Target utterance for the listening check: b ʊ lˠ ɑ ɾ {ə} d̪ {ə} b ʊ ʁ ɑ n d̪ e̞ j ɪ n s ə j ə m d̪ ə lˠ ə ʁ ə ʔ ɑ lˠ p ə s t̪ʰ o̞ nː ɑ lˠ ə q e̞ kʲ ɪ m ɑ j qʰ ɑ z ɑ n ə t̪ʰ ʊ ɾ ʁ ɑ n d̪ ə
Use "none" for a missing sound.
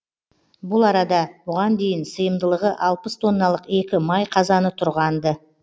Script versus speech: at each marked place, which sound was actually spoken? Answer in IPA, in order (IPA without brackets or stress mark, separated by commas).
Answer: ɑ, ɑ